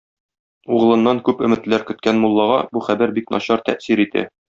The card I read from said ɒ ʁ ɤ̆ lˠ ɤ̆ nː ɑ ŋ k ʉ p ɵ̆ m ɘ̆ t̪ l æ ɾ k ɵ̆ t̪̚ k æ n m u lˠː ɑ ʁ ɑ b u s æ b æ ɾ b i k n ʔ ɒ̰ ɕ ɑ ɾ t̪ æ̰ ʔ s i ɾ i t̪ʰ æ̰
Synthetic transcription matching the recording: u ʁ ɤ̆ lˠ ɤ̆ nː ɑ ŋ k ʉ p ɵ̆ m ɘ̆ t̪ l æ ɾ k ɵ̆ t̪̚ k æ n m u lˠː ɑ ʁ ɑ b u χ æ b æ ɾ b i k n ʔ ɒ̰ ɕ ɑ ɾ t̪ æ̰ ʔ s i ɾ i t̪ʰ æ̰